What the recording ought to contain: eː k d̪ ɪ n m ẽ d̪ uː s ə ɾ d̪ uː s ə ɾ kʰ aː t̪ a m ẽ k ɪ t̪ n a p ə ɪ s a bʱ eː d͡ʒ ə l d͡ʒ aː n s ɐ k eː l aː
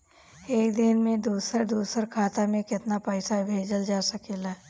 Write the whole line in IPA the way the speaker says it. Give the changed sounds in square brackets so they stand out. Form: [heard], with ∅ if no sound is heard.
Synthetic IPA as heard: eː k d̪ ɪ n m ẽ d̪ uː s ə ɾ d̪ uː s ə ɾ kʰ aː t̪ a m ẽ k ɪ t̪ n a p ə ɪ s a bʱ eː d͡ʒ ə l d͡ʒ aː [∅] s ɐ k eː l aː